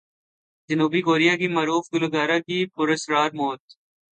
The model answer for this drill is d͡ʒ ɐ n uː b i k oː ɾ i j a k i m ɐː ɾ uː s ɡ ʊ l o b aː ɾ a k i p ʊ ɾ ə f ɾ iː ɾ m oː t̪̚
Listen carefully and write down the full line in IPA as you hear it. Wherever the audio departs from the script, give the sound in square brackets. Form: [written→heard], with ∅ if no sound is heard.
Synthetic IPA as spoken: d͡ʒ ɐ n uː b i k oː ɾ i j a k i m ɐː ɾ uː [s→f] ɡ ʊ l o [b→ɡ] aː ɾ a k i p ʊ ɾ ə [f→s] ɾ [iː→aː] ɾ m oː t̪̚

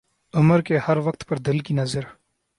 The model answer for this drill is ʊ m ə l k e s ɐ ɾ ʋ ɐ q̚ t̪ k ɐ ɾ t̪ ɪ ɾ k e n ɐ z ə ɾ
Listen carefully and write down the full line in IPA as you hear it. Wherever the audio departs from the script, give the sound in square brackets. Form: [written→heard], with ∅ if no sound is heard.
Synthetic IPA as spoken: ʊ m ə [l→ɾ] k e [s→h] ɐ ɾ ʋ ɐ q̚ t̪ [k→p] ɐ ɾ [t̪→d̪] ɪ [ɾ→l] k [e→i] n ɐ z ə ɾ

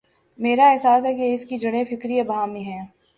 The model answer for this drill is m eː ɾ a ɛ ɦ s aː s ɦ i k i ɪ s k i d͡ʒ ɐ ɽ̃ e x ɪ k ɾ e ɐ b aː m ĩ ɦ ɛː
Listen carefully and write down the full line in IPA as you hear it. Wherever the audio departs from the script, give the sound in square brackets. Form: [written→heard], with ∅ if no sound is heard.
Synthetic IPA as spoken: m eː ɾ a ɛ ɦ s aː s ɦ [i→ɛ] k [i→e] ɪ s k i d͡ʒ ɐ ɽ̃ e [x→f] ɪ k ɾ [e→i] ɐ b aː m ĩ ɦ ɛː

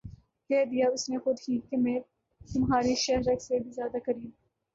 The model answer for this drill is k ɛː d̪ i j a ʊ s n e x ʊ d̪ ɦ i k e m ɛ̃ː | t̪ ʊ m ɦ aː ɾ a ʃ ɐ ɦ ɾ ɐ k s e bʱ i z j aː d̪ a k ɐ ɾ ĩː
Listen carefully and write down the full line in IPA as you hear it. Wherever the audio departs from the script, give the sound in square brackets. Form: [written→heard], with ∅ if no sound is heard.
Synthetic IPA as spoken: k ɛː d̪ i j a ʊ s n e x ʊ d̪ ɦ i k e m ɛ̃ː | t̪ ʊ m ɦ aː ɾ [a→i] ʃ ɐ ɦ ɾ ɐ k s e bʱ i z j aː d̪ a k ɐ ɾ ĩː

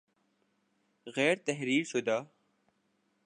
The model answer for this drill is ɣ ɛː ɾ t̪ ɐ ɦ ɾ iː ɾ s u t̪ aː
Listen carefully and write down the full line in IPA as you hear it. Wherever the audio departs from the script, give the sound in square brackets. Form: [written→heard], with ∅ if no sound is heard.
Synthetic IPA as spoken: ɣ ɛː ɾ t̪ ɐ ɦ ɾ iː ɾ s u [t̪→d̪] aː

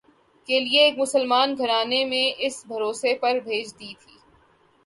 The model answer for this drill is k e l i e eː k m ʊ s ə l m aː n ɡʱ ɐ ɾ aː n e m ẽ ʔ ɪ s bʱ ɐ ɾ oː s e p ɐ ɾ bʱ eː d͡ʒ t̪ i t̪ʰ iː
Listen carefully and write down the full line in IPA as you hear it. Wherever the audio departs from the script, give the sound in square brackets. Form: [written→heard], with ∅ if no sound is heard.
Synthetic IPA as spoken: k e l i e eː k m ʊ s ə l m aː n ɡʱ ɐ ɾ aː n e m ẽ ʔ ɪ s bʱ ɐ ɾ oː s e p ɐ ɾ bʱ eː d͡ʒ [t̪→d̪] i t̪ʰ iː

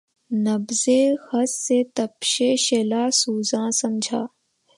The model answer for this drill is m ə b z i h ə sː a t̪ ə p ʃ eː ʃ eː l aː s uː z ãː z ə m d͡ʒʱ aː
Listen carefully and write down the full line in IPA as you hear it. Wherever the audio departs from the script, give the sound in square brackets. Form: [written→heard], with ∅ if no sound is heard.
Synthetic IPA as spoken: [m→n] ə b z [i→e] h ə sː [a→e] t̪ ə p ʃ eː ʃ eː l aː s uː z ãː [z→s] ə m d͡ʒʱ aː

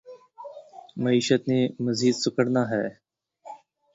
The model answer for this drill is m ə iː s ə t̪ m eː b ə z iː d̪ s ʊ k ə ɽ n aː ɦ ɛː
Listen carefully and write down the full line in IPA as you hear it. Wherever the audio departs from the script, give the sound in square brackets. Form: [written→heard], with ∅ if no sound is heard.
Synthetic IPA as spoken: m ə iː [s→ʃ] ə t̪ [m→n] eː [b→m] ə z iː d̪ s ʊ k ə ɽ n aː ɦ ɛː

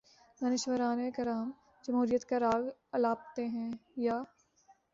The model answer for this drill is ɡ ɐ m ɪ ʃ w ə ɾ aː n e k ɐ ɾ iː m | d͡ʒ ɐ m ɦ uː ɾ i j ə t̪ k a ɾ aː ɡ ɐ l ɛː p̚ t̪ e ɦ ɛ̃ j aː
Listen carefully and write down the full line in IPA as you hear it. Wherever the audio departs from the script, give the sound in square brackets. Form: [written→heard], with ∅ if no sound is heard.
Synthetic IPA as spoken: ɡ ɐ [m→n] ɪ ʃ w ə ɾ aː n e k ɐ ɾ [iː→aː] m | d͡ʒ ɐ m ɦ uː ɾ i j ə t̪ k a ɾ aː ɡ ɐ l [ɛː→aː] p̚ t̪ e ɦ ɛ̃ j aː

